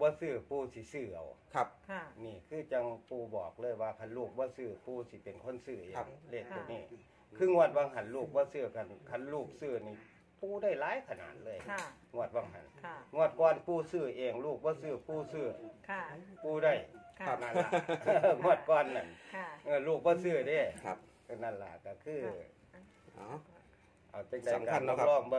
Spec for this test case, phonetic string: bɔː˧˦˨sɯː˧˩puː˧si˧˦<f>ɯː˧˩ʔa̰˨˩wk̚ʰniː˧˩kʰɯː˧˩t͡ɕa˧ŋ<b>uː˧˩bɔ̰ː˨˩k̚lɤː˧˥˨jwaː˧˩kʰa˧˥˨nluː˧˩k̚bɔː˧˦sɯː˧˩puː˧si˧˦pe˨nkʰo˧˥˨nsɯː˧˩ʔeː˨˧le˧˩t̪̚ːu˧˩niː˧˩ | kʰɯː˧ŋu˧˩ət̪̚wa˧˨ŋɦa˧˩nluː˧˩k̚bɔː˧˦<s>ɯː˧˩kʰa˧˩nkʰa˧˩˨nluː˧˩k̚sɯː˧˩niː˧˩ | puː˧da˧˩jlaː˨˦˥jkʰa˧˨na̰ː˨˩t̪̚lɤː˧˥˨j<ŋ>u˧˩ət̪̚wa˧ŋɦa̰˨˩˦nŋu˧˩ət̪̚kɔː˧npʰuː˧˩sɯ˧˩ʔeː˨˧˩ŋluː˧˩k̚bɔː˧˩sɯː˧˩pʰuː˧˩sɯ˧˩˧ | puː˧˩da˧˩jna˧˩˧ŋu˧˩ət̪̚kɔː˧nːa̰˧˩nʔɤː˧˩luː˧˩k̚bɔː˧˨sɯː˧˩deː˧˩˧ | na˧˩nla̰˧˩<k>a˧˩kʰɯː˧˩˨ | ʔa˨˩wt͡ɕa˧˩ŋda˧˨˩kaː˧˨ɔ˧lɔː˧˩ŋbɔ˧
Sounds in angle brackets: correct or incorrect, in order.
incorrect: s, incorrect: p, correct, correct, correct

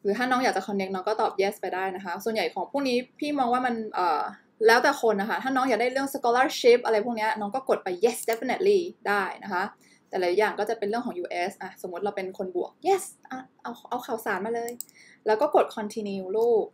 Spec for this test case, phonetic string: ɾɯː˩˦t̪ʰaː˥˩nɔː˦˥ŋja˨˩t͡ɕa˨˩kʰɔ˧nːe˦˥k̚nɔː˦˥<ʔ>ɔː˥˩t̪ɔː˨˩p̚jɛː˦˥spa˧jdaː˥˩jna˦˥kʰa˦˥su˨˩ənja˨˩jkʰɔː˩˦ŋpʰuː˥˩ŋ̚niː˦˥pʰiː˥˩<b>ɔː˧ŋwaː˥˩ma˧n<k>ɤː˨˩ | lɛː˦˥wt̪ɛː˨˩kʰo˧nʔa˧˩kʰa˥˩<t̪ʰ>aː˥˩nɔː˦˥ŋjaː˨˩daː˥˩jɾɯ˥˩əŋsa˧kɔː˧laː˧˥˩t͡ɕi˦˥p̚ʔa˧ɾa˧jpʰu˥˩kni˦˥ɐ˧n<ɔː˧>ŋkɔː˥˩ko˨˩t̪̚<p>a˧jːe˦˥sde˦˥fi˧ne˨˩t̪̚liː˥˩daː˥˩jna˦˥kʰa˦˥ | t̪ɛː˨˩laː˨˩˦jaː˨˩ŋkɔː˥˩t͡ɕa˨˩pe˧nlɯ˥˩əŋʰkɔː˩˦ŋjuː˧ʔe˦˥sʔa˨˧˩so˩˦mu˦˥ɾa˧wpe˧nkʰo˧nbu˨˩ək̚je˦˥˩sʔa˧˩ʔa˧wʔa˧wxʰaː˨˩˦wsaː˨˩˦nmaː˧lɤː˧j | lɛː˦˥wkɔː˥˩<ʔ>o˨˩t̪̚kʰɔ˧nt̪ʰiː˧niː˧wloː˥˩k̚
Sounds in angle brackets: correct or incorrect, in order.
incorrect: k, incorrect: m, incorrect: ʔ, correct, incorrect: ɔː˦˥, correct, incorrect: k

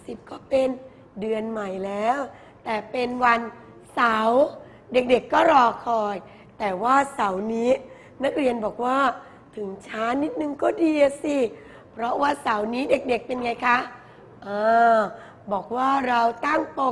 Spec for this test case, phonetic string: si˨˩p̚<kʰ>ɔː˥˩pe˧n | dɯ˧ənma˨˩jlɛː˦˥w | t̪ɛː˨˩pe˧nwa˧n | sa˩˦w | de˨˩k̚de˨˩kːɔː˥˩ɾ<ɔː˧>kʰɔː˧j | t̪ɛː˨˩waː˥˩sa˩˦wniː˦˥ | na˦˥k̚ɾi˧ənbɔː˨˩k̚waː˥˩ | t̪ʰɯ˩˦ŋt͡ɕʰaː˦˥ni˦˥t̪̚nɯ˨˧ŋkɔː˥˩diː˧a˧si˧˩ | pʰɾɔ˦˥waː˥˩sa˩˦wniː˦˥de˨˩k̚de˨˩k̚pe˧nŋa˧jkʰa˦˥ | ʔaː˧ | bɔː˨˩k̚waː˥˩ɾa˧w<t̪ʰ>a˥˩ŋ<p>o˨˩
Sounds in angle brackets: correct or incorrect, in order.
incorrect: k, correct, incorrect: t̪, correct

